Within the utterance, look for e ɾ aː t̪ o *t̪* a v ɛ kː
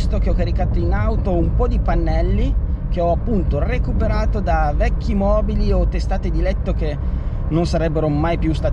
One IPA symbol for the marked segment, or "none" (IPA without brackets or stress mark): d̪